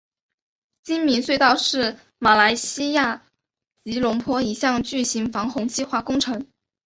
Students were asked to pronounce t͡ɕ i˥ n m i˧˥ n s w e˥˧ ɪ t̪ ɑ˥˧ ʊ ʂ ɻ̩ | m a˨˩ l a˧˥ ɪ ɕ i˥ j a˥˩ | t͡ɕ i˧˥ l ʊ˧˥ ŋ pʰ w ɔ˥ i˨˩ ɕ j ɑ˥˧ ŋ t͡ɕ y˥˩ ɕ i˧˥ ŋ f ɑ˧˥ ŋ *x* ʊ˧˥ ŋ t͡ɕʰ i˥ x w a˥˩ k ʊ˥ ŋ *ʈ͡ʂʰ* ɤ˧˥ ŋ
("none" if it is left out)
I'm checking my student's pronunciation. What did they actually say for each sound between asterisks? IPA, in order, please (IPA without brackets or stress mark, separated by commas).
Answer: x, ʈ͡ʂʰ